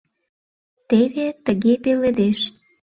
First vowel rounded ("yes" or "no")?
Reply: no